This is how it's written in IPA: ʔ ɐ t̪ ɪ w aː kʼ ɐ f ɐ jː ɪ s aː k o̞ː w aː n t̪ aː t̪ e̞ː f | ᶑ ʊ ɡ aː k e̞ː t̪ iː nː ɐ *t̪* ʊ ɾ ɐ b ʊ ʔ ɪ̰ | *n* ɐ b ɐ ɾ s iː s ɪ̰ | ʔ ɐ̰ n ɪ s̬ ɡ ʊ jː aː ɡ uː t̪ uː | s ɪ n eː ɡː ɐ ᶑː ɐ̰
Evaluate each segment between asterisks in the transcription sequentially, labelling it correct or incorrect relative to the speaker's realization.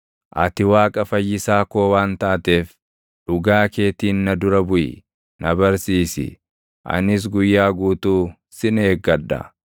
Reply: incorrect: d̪, correct

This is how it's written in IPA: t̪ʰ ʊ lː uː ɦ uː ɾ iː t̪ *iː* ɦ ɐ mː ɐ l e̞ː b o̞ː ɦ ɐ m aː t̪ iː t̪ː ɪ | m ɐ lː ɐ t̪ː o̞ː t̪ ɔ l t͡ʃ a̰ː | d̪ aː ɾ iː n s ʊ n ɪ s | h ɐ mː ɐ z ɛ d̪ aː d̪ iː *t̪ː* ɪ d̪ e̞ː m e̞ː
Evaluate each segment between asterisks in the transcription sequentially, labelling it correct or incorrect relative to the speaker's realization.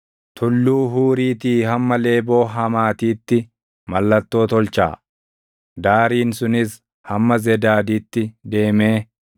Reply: correct, correct

